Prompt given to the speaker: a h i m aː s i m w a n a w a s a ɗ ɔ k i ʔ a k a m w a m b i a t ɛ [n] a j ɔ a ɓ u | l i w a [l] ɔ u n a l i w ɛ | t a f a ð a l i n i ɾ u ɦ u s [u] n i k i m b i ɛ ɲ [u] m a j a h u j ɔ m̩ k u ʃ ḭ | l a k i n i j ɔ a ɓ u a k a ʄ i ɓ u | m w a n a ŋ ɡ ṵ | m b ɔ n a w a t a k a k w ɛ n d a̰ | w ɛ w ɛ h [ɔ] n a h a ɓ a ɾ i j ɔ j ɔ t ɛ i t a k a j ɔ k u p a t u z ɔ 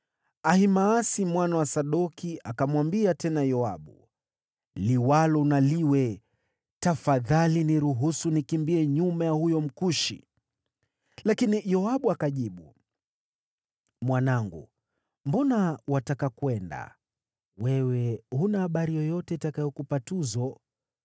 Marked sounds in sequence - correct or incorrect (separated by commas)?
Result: correct, correct, correct, correct, incorrect